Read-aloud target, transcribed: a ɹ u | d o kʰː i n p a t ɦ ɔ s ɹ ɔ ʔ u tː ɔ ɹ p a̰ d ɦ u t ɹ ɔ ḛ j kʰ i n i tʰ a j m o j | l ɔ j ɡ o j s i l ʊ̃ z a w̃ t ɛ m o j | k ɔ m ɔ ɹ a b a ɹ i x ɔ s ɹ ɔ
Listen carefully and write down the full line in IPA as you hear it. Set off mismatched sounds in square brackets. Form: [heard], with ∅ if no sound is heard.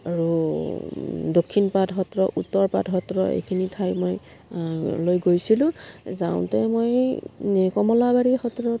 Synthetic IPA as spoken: a ɹ u | d o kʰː i n p a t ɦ ɔ [t] ɹ ɔ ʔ u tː ɔ ɹ p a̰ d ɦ [ɔ] t ɹ ɔ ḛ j kʰ i n i tʰ a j m o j | l [o] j ɡ o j s i l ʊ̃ z a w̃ t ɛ m o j | k ɔ m ɔ [l] a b a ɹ i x ɔ [t] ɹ ɔ